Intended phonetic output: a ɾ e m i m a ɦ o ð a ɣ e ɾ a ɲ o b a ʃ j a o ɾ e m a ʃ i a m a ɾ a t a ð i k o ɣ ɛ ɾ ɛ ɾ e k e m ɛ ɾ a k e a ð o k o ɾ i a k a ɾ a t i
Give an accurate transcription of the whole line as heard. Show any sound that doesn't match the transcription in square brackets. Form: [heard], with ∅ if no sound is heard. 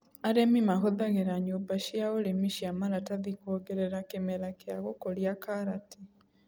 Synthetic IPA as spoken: a ɾ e m i m a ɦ o ð a ɣ e ɾ a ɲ o b a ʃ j a o ɾ e m [i] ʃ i a m a ɾ a t a ð i k o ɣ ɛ ɾ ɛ ɾ [a] k e m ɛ ɾ a k e a [ɣ] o k o ɾ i a k a ɾ a t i